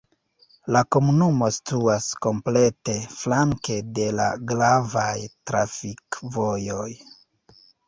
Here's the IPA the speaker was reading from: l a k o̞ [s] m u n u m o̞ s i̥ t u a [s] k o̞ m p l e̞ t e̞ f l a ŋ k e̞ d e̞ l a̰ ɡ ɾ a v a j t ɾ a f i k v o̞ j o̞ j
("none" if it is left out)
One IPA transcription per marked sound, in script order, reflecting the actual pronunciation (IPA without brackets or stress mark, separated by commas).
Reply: none, s